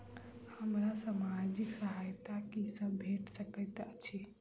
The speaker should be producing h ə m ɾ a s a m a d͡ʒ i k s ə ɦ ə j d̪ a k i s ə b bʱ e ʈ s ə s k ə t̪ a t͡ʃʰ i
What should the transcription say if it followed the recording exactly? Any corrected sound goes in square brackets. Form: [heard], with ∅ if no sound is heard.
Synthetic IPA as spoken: h ə m ɾ a s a m a d͡ʒ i k s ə ɦ [a] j [t̪] a k i s ə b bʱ e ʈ s ə [∅] k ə t̪ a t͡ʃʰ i